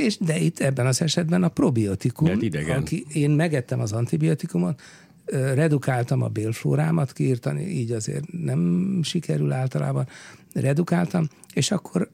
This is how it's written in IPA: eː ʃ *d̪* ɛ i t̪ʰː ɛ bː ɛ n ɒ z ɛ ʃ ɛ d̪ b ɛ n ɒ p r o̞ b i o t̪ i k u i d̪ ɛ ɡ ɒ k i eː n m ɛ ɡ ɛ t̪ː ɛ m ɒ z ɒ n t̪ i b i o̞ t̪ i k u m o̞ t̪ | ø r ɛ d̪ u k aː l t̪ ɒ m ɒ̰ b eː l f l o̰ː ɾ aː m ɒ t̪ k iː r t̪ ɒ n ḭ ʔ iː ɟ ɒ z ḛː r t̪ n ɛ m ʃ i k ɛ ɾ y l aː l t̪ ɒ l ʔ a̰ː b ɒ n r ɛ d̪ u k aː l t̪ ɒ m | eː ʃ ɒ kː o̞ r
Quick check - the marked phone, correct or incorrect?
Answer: correct